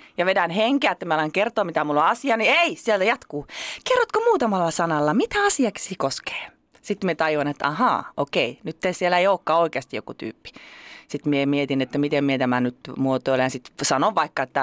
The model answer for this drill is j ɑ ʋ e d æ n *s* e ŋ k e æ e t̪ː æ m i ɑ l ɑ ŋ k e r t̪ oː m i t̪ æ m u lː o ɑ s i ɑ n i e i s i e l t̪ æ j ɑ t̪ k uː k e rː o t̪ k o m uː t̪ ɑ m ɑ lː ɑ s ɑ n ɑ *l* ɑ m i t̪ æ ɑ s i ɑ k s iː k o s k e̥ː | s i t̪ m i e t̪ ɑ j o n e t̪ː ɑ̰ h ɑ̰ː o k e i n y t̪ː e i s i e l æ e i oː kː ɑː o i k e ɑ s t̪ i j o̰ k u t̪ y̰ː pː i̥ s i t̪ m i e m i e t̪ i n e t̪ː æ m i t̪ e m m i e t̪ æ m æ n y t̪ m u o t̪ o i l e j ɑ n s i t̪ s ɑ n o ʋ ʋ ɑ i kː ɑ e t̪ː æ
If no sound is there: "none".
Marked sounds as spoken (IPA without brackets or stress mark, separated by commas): h, lː